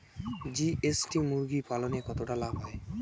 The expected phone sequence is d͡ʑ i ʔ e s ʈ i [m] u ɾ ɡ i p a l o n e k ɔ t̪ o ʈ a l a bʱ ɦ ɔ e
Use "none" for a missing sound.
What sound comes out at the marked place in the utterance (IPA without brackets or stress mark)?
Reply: m